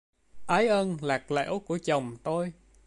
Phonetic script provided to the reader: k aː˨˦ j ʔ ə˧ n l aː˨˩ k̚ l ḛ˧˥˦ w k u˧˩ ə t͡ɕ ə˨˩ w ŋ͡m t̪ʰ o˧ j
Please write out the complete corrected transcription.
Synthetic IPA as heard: ʔ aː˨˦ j ʔ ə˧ n l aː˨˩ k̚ l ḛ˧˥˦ w k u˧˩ ə t͡ɕ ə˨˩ w ŋ͡m t̪ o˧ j

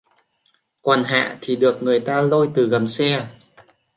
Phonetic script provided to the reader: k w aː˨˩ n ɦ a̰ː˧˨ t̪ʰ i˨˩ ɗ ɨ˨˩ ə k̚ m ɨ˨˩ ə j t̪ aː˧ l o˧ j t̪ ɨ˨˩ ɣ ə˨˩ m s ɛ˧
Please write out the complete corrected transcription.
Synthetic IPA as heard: k w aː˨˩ n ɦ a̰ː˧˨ t̪ʰ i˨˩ ɗ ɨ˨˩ ə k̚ ŋ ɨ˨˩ ə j t̪ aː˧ l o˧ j t̪ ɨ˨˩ ɣ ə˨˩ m s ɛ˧

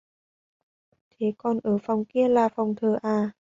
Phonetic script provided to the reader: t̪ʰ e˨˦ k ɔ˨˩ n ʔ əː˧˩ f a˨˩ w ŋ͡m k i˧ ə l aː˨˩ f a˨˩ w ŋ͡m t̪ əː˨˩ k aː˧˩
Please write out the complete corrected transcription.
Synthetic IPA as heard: t̪ʰ e˨˦ k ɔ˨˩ n ʔ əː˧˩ f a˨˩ w ŋ͡m k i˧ ə l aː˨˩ f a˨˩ w ŋ͡m t̪ʰ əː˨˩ ʔ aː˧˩

